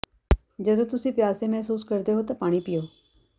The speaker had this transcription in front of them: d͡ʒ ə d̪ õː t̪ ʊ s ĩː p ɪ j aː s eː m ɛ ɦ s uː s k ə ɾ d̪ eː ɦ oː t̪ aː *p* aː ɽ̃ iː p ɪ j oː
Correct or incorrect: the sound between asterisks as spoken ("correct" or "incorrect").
correct